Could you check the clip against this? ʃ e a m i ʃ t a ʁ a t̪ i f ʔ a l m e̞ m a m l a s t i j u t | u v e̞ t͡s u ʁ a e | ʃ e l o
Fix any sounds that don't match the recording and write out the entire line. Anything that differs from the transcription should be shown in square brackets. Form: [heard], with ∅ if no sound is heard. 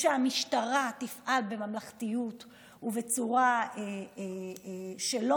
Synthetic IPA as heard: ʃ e a m i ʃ t a ʁ a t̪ i f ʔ a l [b] e̞ m a m l a [χ] t i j u t | u v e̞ t͡s u ʁ a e | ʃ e l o

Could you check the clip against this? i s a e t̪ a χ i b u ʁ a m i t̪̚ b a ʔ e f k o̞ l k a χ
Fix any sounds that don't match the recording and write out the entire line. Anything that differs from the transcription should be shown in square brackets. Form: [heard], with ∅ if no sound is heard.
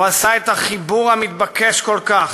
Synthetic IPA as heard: [a] s a e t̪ a χ i b u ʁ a m i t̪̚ b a [k] e [ʃ] k o̞ l k a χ

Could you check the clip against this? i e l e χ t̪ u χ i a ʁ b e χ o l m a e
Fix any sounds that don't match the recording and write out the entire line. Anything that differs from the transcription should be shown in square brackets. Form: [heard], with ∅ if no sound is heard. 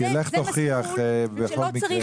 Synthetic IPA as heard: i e l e χ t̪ [o] χ i a [χ] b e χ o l m [i] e

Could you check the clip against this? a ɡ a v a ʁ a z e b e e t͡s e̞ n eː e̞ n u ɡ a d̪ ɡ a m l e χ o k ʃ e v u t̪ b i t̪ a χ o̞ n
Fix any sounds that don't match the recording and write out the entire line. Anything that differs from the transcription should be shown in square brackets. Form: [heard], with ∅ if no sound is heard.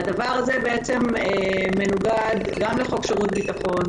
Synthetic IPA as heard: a [d] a v a ʁ a z e b e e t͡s e̞ [m] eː e̞ n u ɡ a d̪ ɡ a m l e χ o k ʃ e [ʁ] u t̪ b i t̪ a χ o̞ n

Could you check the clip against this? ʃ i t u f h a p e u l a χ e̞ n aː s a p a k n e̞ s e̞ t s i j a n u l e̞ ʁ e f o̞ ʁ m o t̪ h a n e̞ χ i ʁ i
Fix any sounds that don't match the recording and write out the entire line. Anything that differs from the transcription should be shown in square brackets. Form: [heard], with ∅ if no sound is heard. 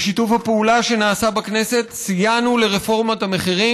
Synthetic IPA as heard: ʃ i t u f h a p e u l a [ʃ] e̞ n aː s a [b] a k n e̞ s e̞ t s i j a n u l e̞ ʁ e f o̞ ʁ m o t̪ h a [m] e̞ χ i ʁ i

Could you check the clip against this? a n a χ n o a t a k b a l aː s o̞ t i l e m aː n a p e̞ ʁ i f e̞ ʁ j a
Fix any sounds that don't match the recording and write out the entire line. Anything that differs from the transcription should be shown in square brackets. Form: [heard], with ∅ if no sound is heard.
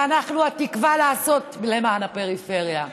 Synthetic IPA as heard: a n a χ n [u] a t [i] k [v] a l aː s o̞ t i l e m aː n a p e̞ ʁ i f e̞ ʁ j a

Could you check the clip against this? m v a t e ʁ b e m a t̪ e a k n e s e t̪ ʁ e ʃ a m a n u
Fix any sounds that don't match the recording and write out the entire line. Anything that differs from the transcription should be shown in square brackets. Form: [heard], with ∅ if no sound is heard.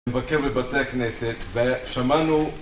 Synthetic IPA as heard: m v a [k] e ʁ b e [b] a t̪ e a k n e s e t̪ [v] e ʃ a m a n u

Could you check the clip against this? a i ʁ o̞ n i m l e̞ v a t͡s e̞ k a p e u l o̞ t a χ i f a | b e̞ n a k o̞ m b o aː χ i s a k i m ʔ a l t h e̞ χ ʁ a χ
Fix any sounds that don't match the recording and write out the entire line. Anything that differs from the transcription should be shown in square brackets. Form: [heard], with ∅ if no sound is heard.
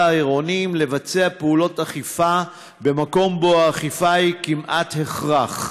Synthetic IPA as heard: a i ʁ o̞ n i m l e̞ v a t͡s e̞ [∅] a p e u l o̞ t a χ i f a | b e̞ [m] a k o̞ m b o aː χ i [f] a k i m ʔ a [∅] t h e̞ χ ʁ a χ

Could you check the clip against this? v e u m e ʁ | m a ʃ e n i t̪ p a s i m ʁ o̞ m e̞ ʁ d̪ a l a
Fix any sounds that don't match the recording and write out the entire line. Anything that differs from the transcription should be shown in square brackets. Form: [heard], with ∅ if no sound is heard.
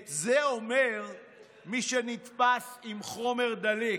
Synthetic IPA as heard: [z] e [o] m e ʁ | m [i] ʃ e n i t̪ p a s i m [χ] o̞ m e̞ ʁ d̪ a l [i]

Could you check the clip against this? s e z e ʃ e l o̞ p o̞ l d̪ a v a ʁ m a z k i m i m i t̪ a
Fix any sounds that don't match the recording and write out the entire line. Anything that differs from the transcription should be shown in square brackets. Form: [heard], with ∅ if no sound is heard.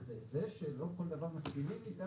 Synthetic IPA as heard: [z] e z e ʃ e l o̞ [k] o̞ l d̪ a v a ʁ m a [s] k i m i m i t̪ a

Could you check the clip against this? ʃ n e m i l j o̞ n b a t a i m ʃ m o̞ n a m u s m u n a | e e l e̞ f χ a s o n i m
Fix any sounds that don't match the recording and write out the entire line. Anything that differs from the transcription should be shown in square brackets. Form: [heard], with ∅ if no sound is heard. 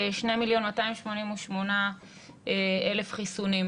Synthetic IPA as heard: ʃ n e m i l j o̞ n [m] a t a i m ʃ m o̞ n [i] m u [ʃ] m [o] n a | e e l e̞ f χ [i] s [u] n i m

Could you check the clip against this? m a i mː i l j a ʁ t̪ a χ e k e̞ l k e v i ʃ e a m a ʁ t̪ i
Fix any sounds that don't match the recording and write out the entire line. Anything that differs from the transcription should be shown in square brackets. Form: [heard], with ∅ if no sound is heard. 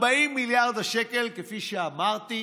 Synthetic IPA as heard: [b] a i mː i l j a ʁ [d̪] a [ʃ] e k e̞ l k e [f] i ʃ e a m a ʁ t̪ i

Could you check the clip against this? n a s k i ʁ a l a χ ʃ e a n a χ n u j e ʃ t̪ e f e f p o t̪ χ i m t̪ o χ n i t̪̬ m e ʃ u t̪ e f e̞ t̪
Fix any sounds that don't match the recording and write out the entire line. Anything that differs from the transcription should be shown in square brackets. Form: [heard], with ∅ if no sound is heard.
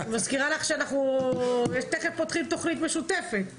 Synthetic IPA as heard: [m] a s k i ʁ a l a χ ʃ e a n a χ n u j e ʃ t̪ e [χ] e f p o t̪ χ i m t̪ o χ n i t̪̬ m e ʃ u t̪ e f e̞ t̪

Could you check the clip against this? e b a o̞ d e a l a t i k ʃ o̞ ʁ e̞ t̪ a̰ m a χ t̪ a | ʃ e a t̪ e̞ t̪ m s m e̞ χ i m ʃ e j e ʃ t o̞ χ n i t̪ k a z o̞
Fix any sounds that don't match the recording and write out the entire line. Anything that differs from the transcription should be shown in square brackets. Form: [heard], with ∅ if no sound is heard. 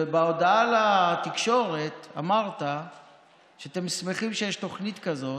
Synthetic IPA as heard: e b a o̞ d [a] a l a t i k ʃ o̞ ʁ e̞ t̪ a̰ m a [ʁ] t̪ a | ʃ e a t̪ e̞ [∅] m s m e̞ χ i m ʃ e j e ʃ t o̞ χ n i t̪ k a z o̞

